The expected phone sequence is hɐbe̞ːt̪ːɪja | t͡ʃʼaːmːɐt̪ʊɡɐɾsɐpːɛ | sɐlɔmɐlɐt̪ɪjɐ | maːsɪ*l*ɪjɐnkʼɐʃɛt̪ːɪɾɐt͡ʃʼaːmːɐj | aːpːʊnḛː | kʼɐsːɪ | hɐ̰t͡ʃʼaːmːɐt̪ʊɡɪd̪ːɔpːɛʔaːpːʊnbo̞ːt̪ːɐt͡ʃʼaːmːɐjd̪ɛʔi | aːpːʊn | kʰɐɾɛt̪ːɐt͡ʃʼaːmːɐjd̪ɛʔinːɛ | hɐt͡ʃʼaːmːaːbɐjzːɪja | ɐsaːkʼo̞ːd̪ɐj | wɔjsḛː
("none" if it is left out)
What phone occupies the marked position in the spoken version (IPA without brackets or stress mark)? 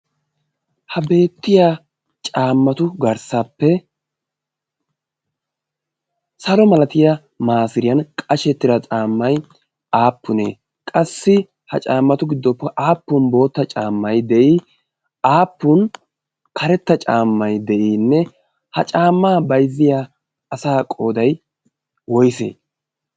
ɾ